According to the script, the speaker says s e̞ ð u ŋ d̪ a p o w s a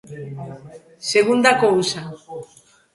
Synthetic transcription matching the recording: s e̞ ɣ u n d̪ a k o u s a